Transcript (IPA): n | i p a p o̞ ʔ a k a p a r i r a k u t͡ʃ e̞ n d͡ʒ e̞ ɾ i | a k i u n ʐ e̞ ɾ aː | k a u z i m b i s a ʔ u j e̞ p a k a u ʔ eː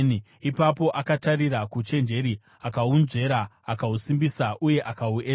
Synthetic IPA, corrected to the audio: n | i p a p o̞ ʔ a k a t a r i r a k u t͡ʃ e̞ n d͡ʒ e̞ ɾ i | a k a u n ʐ e̞ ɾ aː | k a u s i m b i s a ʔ u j e̞ ʔ a k a u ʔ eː